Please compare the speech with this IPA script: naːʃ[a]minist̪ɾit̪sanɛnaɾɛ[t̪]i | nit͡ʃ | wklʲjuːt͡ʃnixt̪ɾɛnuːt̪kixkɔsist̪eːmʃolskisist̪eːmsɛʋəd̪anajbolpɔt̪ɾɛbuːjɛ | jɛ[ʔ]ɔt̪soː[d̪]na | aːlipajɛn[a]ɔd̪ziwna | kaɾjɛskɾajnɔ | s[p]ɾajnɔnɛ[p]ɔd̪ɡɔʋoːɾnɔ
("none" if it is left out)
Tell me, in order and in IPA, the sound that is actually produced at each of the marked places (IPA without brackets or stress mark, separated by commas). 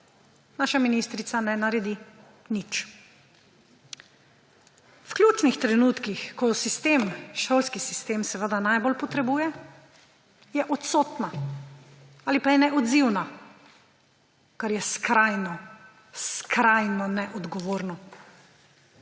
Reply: a, d̪, ʔ, t̪, ɛ, k, ʔ